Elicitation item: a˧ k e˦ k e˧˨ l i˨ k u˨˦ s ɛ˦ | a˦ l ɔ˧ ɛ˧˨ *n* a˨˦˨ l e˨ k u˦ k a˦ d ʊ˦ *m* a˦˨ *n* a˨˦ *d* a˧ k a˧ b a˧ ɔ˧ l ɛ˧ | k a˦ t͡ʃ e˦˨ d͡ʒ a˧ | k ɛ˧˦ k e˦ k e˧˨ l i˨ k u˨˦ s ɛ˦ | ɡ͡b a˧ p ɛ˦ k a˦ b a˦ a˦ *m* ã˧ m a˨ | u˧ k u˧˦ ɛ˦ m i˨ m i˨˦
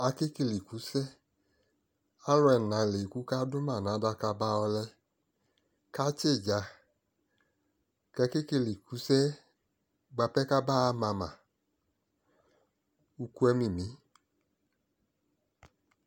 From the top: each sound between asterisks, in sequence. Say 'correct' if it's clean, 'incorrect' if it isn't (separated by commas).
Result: correct, correct, correct, correct, correct